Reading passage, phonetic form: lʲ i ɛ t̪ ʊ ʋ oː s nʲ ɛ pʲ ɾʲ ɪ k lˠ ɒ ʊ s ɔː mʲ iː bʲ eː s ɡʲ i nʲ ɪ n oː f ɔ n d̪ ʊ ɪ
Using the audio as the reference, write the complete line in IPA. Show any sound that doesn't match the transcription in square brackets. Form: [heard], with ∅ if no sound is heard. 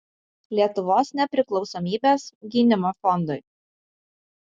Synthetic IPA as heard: lʲ i ɛ t̪ ʊ ʋ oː s nʲ ɛ pʲ ɾʲ ɪ k lˠ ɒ ʊ s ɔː mʲ iː bʲ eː s ɡʲ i nʲ ɪ [m] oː f ɔ n d̪ ʊ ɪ